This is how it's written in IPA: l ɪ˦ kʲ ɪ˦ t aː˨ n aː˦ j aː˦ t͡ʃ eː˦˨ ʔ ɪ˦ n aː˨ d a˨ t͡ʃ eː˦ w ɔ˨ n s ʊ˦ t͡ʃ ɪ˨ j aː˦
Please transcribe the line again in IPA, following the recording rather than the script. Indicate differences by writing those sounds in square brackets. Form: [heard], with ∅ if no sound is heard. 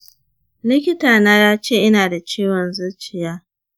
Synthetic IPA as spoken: l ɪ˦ kʲ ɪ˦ t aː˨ n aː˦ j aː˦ t͡ʃ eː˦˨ ʔ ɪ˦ n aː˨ d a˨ t͡ʃ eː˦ w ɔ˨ n [z] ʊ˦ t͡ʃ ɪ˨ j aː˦